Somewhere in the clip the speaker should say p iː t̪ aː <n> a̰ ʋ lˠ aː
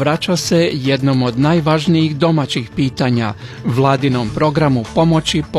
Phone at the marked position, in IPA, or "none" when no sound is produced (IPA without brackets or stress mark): ɲ